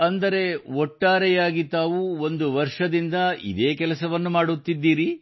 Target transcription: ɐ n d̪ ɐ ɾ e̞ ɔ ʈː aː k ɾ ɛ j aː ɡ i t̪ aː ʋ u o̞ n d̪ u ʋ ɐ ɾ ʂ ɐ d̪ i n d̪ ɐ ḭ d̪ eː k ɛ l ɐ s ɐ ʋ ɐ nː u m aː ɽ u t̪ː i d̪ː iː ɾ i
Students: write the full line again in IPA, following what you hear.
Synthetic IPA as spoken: ɐ n d̪ ɐ ɾ e̞ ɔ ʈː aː ɾ ɛ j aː ɡ i t̪ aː ʋ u o̞ n d̪ u ʋ ɐ ɾ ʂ ɐ d̪ i n d̪ ɐ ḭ d̪ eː k ɛ l ɐ s ɐ ʋ ɐ nː u m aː ɽ u t̪ː i d̪ː iː ɾ i